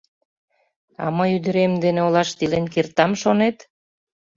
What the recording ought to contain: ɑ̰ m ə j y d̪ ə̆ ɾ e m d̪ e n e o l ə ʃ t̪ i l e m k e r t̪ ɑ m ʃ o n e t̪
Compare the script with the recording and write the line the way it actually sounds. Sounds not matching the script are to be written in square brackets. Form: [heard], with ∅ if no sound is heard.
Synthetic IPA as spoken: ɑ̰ m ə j y d̪ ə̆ ɾ e m d̪ e n e o l [ɑ] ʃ t̪ i l e [n] k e r t̪ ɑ m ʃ o n e t̪